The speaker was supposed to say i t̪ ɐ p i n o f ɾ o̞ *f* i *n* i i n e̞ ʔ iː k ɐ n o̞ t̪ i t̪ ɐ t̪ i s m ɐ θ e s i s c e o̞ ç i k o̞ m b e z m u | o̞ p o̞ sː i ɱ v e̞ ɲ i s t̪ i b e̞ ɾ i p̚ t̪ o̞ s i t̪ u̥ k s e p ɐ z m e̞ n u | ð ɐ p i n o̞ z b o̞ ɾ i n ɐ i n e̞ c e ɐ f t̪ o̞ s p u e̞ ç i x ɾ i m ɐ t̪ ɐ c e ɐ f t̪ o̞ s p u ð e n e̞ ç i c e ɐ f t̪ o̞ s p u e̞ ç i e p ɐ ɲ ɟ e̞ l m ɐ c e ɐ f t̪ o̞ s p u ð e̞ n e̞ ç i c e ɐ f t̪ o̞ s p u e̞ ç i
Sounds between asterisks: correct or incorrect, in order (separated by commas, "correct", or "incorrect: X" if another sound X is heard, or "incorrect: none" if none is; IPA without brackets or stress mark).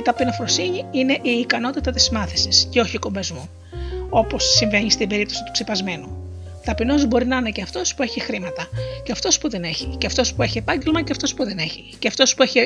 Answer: incorrect: s, incorrect: ɲ